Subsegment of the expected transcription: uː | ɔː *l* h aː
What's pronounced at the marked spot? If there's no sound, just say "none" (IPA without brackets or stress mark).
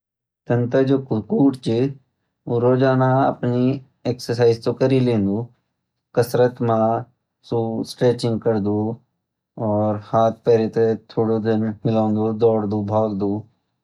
ɾ